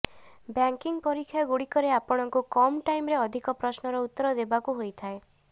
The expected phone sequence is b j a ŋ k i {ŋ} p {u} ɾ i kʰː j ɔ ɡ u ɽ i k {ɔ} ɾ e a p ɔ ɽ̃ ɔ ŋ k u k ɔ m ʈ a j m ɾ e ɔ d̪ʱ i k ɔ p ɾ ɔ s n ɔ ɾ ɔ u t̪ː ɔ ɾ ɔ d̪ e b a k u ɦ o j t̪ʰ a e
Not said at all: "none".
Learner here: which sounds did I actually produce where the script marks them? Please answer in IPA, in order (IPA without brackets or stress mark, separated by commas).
ŋ, ɔ, ɔ